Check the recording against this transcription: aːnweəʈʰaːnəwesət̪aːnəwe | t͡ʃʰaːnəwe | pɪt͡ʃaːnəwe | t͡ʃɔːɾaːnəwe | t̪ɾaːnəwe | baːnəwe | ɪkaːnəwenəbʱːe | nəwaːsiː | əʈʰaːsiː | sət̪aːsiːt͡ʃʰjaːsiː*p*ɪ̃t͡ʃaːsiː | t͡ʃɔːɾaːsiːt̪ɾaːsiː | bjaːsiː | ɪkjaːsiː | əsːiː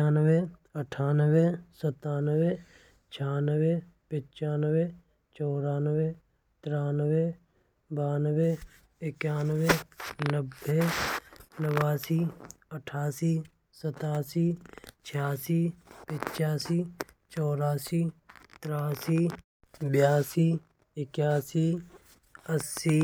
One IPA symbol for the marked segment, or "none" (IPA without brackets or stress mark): p